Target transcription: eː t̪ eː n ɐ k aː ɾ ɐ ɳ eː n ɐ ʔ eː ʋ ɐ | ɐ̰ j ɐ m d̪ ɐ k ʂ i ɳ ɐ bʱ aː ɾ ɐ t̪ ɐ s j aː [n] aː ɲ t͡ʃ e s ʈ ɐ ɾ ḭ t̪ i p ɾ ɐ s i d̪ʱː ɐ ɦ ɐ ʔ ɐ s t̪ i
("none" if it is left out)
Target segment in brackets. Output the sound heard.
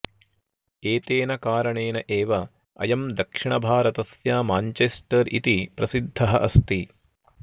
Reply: m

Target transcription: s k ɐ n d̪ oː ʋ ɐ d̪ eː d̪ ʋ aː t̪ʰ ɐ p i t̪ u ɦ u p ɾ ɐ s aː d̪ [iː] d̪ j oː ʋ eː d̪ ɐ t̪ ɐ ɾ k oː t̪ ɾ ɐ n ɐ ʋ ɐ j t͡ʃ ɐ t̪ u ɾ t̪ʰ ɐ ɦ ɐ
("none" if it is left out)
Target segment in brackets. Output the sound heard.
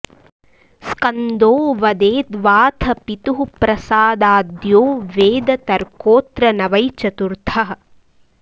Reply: aː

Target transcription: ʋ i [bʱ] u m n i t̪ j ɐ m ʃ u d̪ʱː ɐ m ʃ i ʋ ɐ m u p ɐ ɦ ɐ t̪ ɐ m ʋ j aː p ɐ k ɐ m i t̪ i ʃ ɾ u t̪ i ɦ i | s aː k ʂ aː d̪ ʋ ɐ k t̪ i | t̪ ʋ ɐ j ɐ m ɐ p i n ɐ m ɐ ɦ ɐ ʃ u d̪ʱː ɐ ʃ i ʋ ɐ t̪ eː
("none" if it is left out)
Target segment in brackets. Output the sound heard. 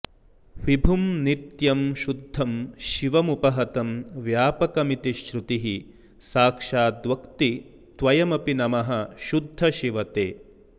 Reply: bʱ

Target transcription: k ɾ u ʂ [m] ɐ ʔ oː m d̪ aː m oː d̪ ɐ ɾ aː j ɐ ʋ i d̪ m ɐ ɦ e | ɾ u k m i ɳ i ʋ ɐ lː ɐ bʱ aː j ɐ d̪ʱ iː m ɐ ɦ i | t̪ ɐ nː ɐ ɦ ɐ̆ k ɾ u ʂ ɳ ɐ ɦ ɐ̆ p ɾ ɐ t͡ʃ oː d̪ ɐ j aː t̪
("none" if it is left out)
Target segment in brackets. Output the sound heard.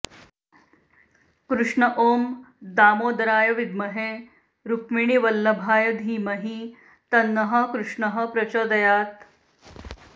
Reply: ɳ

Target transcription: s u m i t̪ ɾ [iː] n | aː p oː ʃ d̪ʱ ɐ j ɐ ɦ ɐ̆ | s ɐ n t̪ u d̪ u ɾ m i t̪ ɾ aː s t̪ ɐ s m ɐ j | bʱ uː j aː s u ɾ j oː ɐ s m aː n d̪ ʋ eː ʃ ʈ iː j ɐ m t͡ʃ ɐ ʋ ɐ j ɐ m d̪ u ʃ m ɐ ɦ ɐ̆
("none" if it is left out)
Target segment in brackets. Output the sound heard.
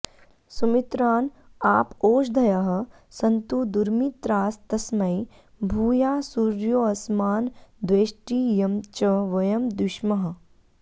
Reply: aː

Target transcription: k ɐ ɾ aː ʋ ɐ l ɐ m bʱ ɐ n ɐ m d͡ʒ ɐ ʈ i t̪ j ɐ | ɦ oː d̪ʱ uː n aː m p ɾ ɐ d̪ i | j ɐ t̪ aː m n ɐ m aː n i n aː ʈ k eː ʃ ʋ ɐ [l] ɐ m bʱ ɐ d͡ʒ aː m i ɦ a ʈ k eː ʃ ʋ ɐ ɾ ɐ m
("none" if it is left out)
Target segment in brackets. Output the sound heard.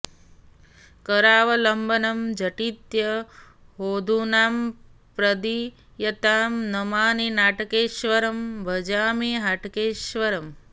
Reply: ɾ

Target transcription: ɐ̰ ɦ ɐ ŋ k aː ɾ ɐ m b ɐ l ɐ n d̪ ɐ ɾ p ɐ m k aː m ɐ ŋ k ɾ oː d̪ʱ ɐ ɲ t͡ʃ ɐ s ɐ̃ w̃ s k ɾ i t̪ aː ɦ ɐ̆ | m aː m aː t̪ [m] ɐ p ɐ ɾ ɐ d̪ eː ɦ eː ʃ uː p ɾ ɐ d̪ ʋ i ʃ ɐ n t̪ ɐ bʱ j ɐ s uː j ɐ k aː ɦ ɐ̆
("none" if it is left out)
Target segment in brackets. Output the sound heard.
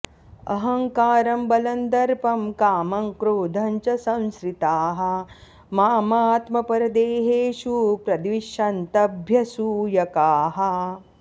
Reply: m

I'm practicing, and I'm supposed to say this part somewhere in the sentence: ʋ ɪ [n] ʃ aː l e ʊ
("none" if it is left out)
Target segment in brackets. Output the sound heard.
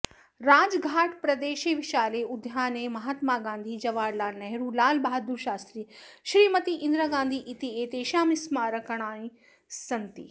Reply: none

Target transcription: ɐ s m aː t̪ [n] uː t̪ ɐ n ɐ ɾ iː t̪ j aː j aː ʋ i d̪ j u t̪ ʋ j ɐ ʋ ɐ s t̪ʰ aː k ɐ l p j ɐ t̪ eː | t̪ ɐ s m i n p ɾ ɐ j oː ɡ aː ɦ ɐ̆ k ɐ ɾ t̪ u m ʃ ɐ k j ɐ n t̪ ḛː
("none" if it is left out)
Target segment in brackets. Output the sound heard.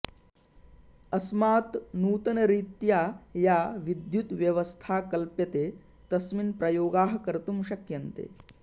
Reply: n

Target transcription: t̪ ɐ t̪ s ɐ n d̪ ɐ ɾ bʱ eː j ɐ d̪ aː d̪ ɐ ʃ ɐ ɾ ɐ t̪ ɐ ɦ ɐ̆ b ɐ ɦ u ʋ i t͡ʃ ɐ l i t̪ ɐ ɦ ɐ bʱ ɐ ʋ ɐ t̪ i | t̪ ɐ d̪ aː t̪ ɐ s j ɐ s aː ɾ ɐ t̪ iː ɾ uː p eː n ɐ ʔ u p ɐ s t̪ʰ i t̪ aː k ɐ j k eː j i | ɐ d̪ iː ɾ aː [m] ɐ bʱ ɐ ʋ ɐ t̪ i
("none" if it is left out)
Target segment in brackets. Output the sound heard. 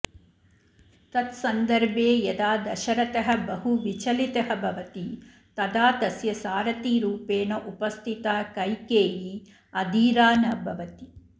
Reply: n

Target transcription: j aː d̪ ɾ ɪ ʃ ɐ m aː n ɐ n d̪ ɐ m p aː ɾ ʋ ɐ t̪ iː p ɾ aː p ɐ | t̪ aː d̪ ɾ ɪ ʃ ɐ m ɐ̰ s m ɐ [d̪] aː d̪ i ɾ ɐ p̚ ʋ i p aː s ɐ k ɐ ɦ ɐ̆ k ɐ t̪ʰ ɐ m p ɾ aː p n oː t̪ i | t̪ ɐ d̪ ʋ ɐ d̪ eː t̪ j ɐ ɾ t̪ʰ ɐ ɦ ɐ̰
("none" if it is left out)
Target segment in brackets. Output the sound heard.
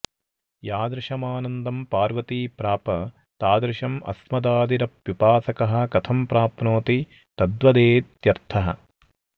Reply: d̪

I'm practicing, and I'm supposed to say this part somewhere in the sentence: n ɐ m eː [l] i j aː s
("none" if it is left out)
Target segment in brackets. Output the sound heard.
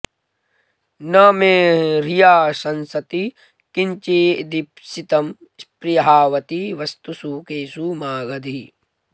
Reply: ɾ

